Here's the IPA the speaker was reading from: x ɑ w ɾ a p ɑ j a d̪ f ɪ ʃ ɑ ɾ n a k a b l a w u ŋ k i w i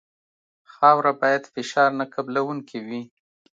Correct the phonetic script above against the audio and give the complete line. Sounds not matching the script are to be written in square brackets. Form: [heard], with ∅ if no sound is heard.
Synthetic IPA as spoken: x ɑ w ɾ a [b] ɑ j a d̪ f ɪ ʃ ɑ ɾ n a k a b l a w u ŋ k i w i